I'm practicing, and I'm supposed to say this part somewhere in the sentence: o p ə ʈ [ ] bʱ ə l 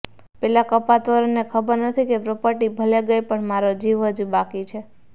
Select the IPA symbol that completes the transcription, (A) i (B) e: A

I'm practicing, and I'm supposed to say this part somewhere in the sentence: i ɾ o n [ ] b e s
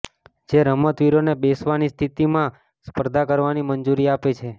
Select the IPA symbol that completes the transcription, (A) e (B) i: A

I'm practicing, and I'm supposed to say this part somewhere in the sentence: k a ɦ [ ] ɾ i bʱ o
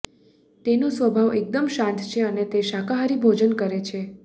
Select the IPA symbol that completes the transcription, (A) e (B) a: B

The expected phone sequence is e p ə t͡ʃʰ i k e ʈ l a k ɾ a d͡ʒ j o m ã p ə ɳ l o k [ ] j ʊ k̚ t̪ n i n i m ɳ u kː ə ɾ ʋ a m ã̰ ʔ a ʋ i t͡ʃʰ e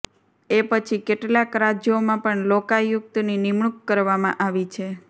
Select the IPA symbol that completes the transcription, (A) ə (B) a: B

